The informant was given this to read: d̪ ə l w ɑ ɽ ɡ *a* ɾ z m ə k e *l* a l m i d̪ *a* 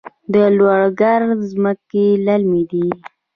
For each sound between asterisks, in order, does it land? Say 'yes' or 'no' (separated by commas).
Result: yes, yes, no